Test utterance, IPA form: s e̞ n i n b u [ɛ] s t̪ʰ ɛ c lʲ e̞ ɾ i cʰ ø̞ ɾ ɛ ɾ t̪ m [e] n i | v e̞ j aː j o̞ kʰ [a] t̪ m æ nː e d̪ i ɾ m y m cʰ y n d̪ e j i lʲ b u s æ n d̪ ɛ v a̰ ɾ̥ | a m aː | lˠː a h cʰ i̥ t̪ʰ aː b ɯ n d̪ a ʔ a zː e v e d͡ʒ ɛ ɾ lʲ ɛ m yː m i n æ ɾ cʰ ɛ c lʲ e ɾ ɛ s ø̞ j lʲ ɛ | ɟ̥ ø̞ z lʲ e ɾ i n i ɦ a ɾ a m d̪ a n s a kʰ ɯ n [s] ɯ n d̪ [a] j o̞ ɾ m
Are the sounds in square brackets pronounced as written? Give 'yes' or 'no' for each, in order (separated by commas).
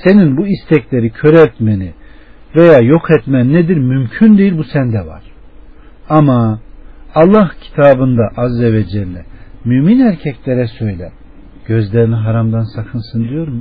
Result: no, yes, no, yes, no